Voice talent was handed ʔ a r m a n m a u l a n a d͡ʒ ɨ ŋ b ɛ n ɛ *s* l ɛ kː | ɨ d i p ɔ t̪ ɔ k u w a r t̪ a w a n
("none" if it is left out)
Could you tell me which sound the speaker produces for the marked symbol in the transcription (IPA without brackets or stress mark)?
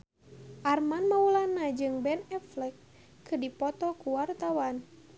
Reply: f